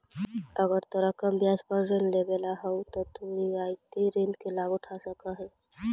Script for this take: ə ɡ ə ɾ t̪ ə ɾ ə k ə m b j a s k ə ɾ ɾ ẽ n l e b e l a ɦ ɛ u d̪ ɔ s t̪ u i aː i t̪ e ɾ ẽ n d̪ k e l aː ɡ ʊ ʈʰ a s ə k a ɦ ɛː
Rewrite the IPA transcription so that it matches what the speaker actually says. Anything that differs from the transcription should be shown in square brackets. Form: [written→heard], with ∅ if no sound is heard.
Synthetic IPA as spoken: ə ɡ ə ɾ t̪ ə ɾ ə k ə m b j a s [k→p] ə ɾ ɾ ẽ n l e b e l a ɦ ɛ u [d̪→t̪] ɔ [s→∅] t̪ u i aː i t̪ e ɾ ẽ n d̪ k e l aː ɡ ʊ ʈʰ a s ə k a ɦ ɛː